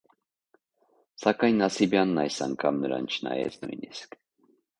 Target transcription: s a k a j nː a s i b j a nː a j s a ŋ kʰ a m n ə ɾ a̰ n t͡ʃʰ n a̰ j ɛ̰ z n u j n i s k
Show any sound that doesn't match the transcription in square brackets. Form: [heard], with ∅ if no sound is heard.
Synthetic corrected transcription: s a k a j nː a s i b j a nː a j s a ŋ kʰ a m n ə ɾ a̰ n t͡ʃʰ n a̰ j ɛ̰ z n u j n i s k